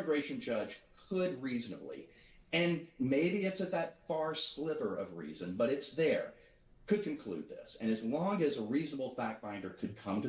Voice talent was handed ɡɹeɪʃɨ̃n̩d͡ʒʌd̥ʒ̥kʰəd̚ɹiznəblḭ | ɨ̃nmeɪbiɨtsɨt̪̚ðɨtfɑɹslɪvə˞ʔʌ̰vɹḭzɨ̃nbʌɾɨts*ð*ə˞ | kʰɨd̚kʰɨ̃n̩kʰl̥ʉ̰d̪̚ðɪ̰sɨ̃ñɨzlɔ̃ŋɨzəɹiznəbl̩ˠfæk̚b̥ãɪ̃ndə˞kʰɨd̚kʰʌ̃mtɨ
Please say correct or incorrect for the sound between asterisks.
correct